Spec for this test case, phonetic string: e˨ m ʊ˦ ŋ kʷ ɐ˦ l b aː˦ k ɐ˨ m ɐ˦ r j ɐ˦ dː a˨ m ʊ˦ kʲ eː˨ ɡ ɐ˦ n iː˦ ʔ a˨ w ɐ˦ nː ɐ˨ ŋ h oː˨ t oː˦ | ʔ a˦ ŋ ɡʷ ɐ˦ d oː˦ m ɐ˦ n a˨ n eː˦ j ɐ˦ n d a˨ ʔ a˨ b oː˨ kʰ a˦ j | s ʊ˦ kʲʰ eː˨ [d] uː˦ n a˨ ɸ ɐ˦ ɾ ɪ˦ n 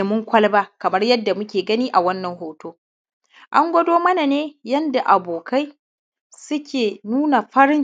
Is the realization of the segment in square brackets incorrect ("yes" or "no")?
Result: yes